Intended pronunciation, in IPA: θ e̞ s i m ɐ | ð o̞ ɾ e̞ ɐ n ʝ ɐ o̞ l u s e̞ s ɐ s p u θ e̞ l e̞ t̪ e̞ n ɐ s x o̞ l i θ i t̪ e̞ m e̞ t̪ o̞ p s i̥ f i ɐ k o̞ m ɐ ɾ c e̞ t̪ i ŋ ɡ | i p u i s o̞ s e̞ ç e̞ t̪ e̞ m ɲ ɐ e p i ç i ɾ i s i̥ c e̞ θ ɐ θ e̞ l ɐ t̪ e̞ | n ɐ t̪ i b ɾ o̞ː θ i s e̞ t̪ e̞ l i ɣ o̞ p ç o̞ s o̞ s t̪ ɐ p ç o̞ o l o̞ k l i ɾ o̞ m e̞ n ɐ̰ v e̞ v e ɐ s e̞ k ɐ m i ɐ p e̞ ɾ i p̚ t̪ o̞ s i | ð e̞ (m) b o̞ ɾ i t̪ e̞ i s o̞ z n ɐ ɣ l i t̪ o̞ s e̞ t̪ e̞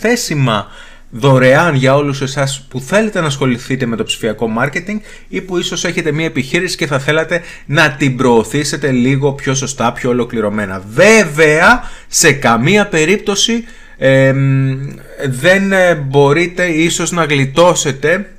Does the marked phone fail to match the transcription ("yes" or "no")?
yes